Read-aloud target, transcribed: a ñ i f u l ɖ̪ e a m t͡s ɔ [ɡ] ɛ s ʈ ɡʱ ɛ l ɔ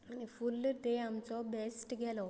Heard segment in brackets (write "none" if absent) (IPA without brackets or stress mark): b